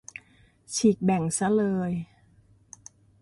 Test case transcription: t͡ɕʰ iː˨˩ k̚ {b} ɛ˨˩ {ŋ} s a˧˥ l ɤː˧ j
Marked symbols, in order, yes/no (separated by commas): yes, yes